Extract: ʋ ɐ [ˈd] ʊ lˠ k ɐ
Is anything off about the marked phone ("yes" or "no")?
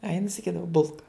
yes